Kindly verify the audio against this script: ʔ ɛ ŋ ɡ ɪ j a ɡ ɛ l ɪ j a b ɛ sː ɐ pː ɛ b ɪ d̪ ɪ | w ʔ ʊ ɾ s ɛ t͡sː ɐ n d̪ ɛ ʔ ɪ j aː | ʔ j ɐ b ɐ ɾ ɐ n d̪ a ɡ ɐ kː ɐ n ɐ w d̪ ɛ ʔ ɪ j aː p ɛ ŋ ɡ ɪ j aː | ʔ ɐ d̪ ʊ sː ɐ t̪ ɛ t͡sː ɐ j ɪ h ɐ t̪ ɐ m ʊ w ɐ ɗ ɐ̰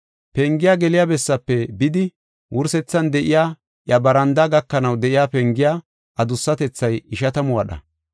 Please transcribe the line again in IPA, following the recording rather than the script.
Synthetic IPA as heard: p ɛ ŋ ɡ ɪ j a ɡ ɛ l ɪ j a b ɛ sː ɐ pː ɛ b ɪ d̪ ɪ | w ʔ ʊ ɾ s ɛ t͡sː ɐ n d̪ ɛ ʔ ɪ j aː | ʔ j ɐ b ɐ ɾ ɐ n d̪ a ɡ ɐ kː ɐ n ɐ w d̪ ɛ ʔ ɪ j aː p ɛ ŋ ɡ ɪ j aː | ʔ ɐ d̪ ʊ sː ɐ t̪ ɛ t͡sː ɐ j ɪ ʃ ɐ t̪ ɐ m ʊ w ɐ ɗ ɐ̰